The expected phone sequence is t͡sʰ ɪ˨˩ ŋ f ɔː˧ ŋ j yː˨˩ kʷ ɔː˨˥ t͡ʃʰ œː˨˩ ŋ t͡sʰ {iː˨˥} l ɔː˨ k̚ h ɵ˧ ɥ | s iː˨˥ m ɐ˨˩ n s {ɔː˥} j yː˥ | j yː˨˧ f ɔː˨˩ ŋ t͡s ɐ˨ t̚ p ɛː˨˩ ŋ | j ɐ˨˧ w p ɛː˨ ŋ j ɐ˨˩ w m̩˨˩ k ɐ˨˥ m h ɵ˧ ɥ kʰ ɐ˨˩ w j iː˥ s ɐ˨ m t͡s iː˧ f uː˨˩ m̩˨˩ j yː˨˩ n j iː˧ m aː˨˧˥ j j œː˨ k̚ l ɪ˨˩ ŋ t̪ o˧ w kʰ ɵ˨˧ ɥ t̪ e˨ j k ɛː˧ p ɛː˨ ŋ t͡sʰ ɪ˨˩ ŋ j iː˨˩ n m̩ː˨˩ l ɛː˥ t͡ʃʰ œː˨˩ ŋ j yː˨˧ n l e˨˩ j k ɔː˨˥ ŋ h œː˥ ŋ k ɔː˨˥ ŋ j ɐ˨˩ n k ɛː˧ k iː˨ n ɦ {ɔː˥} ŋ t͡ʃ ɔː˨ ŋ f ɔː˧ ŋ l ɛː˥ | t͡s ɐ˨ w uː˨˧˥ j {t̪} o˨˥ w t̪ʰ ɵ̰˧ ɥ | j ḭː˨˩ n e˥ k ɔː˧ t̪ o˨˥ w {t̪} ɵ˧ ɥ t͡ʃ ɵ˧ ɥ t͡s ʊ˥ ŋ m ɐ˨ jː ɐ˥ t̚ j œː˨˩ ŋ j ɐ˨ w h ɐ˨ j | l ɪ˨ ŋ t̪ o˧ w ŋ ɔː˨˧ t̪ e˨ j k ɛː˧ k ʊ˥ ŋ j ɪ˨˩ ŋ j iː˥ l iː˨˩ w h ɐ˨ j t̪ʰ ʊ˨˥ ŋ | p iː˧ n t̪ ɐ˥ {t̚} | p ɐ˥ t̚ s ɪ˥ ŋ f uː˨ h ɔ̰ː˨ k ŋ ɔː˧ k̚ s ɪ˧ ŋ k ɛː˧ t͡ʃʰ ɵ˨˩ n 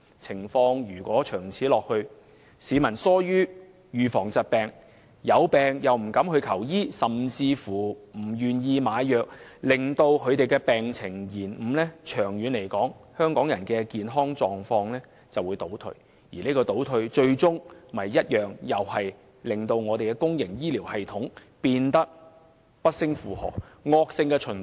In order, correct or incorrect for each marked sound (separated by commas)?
correct, correct, correct, correct, incorrect, incorrect